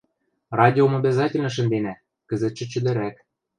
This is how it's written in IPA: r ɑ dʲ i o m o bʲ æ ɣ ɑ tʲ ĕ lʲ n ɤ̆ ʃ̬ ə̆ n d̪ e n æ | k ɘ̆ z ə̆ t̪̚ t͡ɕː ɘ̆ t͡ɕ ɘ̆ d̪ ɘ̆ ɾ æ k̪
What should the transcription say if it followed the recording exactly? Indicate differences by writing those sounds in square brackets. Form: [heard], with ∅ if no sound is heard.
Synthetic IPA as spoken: r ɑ dʲ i o m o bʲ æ [z] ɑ tʲ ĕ lʲ n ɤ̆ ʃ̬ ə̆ n d̪ e n æ | k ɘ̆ z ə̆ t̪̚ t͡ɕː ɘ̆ t͡ɕ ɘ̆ d̪ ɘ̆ ɾ æ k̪

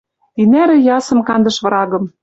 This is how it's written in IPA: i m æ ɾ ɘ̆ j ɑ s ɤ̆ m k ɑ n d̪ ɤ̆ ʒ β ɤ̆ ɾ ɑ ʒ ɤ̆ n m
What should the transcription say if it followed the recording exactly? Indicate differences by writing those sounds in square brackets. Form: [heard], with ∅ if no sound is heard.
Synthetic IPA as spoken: i [n] æ ɾ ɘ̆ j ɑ s ɤ̆ m k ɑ n d̪ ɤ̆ [ʃ] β ɤ̆ ɾ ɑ [ɣ] ɤ̆ [∅] m

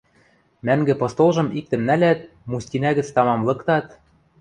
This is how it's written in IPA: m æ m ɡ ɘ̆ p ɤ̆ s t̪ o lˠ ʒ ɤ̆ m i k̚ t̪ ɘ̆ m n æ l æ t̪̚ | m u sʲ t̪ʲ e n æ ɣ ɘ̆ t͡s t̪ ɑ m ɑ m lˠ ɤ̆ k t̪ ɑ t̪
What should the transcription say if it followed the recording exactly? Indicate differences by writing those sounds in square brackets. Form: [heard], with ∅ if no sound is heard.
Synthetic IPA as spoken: m æ [ŋ] ɡ ɘ̆ p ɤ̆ s t̪ o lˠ ʒ ɤ̆ m i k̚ t̪ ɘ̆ m n æ l æ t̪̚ | m u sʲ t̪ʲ [i] n æ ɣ ɘ̆ t͡s t̪ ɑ m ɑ m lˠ ɤ̆ k t̪ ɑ t̪

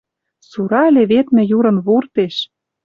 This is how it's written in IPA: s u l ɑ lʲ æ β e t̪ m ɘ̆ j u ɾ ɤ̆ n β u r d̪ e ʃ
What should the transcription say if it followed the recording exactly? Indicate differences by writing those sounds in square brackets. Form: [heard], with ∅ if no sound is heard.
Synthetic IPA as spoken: s u [ɾ] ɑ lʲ [e] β e t̪ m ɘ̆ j u ɾ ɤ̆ n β u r [t̪] e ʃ

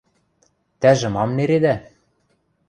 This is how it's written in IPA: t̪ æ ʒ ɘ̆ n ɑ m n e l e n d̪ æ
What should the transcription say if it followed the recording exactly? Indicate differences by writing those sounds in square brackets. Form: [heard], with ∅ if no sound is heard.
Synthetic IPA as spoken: t̪ æ ʒ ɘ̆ [m] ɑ m n e [ɾ] e [∅] d̪ æ

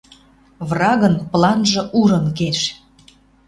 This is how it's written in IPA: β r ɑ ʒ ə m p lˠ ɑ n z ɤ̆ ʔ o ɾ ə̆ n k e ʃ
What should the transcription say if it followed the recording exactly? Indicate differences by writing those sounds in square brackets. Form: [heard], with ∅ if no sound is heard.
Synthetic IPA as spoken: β r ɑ [ɣ] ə [n] p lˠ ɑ n [ʒ] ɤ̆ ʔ [u] ɾ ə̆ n k e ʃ

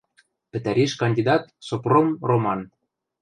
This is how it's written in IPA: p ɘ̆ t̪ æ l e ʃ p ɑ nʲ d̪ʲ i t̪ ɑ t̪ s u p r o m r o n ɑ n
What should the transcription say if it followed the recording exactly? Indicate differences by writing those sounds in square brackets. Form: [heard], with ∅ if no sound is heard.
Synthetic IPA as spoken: p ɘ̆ t̪ æ [ɾ] e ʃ [k] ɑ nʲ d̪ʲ i [d̪] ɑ t̪ s [o] p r o m r o [m] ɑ n

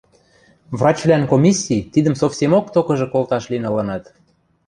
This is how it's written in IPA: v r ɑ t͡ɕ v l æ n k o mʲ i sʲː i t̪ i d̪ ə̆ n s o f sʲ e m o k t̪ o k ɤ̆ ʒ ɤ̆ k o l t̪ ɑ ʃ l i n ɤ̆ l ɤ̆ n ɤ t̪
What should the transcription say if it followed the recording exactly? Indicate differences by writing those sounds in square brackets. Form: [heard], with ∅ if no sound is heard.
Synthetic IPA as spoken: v r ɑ t͡ɕ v l æ n k o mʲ i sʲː i t̪ i d̪ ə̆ [m] s o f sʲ e m o k t̪ o k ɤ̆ ʒ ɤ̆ k o l t̪ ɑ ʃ l i n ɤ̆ l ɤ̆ n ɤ t̪

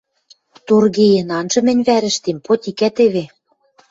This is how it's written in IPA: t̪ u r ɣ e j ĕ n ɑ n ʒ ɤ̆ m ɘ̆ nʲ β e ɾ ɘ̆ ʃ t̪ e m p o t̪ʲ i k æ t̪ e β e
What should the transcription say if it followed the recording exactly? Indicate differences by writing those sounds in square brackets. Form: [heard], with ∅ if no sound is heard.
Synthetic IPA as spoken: t̪ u r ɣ e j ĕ n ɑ n ʒ ɤ̆ m ɘ̆ nʲ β [æ] ɾ ɘ̆ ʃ t̪ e m p o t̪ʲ i k æ t̪ e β e

